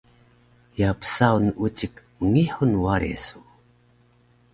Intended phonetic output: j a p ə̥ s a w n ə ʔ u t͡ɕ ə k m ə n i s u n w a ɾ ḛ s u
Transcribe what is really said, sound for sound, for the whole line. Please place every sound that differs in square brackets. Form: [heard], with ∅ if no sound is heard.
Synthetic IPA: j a p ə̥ s a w n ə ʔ u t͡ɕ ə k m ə [ŋ] i [ħ] u n w a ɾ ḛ s u

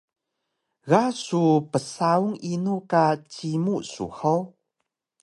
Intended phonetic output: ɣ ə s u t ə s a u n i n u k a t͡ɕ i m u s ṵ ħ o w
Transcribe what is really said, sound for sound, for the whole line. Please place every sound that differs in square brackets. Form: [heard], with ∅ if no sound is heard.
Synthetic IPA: ɣ [a] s u [p] ə s a u [ŋ] i n u k a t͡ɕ i m u s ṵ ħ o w

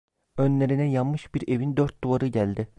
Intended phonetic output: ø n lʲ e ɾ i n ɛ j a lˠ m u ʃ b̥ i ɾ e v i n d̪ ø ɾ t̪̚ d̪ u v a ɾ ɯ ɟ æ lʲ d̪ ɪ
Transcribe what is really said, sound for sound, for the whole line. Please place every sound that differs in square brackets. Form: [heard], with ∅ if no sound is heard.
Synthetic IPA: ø n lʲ e ɾ i n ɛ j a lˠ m [ɯ] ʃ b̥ i ɾ e v i n d̪ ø ɾ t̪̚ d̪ u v a ɾ ɯ ɟ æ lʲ d̪ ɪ

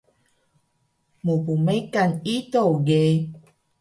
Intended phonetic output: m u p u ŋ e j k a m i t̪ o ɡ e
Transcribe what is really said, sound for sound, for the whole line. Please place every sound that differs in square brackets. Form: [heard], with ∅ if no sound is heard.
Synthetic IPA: m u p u [m] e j k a [n] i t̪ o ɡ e

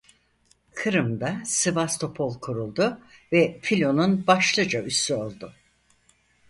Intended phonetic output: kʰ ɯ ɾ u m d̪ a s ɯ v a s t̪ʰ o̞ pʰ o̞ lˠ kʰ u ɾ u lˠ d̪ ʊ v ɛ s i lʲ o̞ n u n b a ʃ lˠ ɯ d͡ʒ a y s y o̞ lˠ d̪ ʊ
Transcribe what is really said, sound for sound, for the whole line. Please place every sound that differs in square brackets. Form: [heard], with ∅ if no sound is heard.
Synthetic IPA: kʰ ɯ ɾ [ɯ] m d̪ a s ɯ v a s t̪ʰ o̞ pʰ o̞ lˠ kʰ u ɾ u lˠ d̪ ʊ v ɛ [f] i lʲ o̞ n u n b a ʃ lˠ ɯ d͡ʒ a y s y o̞ lˠ d̪ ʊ

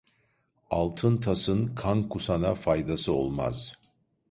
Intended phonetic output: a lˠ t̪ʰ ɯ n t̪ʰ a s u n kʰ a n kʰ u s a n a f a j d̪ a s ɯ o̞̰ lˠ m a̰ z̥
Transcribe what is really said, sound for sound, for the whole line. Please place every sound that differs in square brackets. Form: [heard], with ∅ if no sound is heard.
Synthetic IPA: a lˠ t̪ʰ ɯ n t̪ʰ a s [ɯ] n kʰ a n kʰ u s a n a f a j d̪ a s ɯ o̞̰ lˠ m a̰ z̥

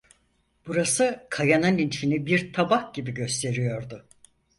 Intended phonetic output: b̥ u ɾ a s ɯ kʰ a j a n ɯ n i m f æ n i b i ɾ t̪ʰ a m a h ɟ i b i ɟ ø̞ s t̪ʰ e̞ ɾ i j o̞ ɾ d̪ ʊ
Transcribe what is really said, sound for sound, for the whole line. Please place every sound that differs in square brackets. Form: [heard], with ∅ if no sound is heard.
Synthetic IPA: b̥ u ɾ a s ɯ kʰ a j a n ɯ n i [n] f [i] n i b i ɾ t̪ʰ a [b] a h ɟ i b i ɟ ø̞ s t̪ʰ e̞ ɾ i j o̞ ɾ d̪ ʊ

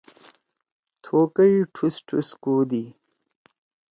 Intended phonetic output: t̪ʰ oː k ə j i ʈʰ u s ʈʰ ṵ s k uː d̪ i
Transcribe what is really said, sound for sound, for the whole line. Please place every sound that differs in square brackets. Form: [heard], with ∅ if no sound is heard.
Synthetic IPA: t̪ʰ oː k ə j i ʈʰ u s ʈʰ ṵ s k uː d̪ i

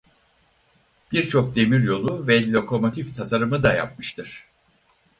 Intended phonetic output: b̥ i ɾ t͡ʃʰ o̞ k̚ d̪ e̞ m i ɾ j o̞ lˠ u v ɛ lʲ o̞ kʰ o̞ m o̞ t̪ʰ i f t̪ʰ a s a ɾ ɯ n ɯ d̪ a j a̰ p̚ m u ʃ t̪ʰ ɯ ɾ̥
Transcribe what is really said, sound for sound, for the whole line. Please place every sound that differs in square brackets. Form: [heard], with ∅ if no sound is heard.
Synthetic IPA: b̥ i ɾ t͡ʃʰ o̞ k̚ d̪ e̞ m i ɾ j o̞ lˠ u v ɛ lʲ o̞ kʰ o̞ m o̞ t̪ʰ i f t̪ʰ a s a ɾ ɯ [m] ɯ d̪ a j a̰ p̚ m [ɯ] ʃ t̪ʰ ɯ ɾ̥

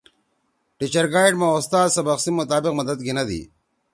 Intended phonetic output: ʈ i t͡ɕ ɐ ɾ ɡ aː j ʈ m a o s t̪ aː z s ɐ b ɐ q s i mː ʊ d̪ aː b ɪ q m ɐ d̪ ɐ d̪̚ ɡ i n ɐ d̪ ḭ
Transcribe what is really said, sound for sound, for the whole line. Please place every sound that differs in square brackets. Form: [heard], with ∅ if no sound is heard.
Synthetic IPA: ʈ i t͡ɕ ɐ ɾ ɡ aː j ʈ m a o s t̪ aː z s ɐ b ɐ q s i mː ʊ [t̪] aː b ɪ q m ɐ d̪ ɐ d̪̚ ɡ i n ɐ d̪ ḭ

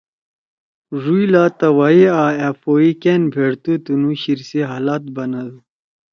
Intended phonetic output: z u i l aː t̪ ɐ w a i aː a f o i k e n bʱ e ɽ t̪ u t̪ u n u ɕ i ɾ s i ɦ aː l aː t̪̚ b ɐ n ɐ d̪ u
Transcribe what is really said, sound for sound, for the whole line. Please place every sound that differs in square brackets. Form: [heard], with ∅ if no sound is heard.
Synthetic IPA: [ʐ] u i l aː t̪ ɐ w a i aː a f o i k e n bʱ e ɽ t̪ u t̪ u n u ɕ i ɾ s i ɦ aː l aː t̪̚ b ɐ n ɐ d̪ u

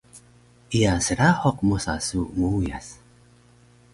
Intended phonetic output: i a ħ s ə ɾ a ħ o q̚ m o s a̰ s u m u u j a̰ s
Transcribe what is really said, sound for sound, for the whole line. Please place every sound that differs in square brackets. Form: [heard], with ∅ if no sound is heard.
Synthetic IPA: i a [∅] s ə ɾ a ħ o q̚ m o s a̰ s u m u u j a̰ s

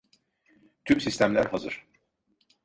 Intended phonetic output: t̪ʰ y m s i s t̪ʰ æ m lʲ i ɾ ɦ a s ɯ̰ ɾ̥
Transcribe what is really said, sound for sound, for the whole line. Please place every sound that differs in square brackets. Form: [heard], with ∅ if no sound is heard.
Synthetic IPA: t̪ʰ y m s i s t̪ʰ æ m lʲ [æ] ɾ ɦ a [z] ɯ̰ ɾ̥

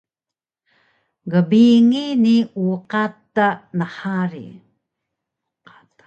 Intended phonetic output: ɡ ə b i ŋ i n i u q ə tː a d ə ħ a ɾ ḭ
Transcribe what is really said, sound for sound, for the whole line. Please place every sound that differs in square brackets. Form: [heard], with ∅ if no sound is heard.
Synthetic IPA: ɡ ə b i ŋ i n i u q [a] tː a [n] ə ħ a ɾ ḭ

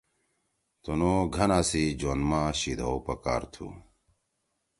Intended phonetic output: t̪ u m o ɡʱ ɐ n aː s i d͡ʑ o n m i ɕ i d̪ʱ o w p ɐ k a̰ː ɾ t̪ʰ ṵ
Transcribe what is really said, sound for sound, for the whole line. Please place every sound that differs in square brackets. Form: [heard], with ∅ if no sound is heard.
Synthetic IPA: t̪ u [n] o ɡʱ ɐ n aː s i d͡ʑ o n m [a] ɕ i d̪ʱ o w p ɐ k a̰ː ɾ t̪ʰ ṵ

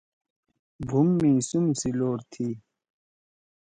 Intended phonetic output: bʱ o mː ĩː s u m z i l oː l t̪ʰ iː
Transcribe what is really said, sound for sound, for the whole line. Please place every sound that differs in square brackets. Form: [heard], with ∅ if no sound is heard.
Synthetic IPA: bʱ [u] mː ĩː s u m [s] i l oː [ɾ] t̪ʰ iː

